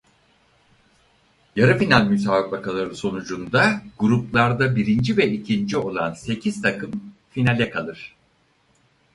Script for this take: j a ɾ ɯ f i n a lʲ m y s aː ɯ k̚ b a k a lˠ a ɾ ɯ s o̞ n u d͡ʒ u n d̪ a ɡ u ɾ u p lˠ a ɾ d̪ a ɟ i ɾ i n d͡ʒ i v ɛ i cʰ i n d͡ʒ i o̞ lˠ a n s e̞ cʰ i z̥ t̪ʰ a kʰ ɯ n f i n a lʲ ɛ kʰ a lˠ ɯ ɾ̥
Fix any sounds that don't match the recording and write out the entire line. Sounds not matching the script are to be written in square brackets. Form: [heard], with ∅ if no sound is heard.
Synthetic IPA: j a ɾ ɯ f i n a lʲ m y s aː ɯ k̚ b a k a lˠ a ɾ ɯ s o̞ n u d͡ʒ u n d̪ a ɡ u ɾ u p lˠ a ɾ d̪ a [b] i ɾ i n d͡ʒ i v ɛ i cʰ i n d͡ʒ i o̞ lˠ a n s e̞ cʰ i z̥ t̪ʰ a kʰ ɯ [m] f i n a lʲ ɛ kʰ a lˠ ɯ ɾ̥